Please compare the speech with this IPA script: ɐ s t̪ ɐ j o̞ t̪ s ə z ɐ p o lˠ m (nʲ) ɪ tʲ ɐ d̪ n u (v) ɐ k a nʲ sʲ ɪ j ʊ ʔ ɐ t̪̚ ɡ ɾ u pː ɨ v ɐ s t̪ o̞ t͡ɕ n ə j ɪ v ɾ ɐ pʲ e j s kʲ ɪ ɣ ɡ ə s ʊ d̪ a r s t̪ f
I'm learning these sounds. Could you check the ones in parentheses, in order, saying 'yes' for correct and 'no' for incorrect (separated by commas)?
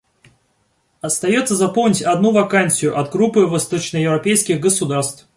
yes, yes